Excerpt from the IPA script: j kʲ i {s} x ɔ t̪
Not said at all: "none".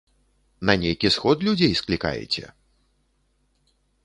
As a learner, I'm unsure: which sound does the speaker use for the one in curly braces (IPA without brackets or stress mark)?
s